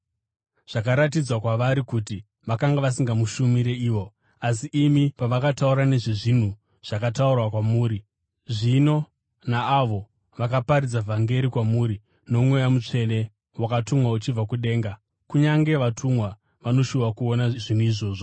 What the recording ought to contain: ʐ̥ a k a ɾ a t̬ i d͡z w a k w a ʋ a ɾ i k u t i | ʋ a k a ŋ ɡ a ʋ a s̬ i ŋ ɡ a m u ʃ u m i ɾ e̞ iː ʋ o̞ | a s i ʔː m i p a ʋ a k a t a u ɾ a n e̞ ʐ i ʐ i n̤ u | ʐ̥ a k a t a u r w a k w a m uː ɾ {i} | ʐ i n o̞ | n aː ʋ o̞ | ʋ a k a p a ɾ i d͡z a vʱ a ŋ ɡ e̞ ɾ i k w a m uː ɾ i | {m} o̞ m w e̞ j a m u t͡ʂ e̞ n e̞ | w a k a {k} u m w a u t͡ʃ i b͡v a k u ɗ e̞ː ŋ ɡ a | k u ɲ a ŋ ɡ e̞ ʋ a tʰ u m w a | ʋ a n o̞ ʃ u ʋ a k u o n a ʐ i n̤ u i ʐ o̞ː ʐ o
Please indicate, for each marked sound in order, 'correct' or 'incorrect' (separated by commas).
correct, incorrect, incorrect